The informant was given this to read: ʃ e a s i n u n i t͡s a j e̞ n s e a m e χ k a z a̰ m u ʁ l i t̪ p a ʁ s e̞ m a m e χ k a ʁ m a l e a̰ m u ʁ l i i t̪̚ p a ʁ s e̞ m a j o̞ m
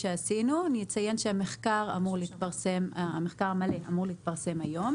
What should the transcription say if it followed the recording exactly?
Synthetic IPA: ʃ e a s i n u n i t͡s a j e̞ n ʃ e a m e χ k a ʁ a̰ m u ʁ l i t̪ p a ʁ s e̞ m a m e χ k a ʁ m a l e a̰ m u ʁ l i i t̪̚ p a ʁ s e̞ m a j o̞ m